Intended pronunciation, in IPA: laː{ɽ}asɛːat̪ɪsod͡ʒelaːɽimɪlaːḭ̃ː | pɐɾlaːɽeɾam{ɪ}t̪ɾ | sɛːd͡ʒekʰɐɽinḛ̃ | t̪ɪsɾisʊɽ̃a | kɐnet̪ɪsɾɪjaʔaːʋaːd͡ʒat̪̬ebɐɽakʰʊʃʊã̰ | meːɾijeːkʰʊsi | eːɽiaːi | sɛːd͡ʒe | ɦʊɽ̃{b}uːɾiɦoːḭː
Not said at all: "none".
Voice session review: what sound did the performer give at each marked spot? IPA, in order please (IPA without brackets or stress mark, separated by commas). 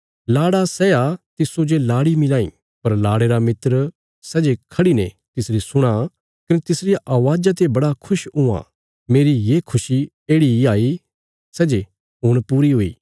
ɽ, ɪ, p